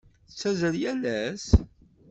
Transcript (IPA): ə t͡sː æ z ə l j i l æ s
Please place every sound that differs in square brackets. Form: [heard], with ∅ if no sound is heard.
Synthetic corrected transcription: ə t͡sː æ z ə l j [æ] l æ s